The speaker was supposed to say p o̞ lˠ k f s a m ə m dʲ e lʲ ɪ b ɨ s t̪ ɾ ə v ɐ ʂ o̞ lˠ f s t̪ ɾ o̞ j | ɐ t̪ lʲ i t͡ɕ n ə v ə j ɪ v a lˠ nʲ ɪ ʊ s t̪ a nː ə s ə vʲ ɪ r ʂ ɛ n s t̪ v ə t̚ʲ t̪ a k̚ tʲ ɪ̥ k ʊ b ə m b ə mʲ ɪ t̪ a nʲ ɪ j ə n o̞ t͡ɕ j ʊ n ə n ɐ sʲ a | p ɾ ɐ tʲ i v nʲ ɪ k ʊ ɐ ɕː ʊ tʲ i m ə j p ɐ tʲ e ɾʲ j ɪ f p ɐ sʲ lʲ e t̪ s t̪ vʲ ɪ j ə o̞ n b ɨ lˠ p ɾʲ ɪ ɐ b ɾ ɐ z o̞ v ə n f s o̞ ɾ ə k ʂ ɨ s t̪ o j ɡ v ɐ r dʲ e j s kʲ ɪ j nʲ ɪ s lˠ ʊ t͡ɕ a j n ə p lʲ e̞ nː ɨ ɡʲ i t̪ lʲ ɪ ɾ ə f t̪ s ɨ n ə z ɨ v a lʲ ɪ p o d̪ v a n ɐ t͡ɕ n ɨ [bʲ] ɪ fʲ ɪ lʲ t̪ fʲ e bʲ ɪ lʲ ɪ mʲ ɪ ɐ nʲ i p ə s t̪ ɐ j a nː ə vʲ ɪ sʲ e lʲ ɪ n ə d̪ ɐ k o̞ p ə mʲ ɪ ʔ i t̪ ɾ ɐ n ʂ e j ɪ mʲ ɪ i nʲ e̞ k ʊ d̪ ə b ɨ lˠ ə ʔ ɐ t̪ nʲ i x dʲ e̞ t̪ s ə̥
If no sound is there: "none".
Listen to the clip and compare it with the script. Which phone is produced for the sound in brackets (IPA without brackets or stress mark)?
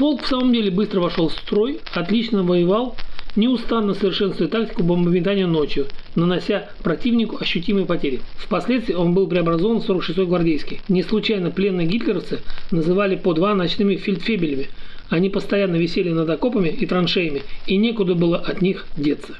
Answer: mʲ